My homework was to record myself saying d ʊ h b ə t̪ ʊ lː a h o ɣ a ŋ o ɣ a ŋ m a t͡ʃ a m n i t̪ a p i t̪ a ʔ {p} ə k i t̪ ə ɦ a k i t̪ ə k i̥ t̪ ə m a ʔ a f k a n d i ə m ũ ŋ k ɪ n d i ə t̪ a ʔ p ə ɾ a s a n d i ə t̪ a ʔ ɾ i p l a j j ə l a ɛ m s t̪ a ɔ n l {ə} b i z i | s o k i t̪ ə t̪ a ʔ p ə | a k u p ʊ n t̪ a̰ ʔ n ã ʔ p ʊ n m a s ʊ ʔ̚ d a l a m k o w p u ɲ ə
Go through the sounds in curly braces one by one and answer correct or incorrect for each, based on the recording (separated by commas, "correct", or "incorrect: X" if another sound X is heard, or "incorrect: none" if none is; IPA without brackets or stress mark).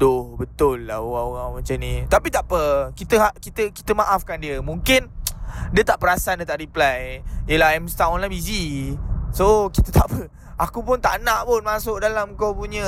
correct, incorrect: a